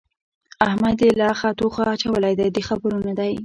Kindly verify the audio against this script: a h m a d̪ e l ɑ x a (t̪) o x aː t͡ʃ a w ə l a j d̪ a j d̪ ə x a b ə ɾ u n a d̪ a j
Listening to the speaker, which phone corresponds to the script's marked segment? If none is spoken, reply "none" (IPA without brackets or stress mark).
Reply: t̪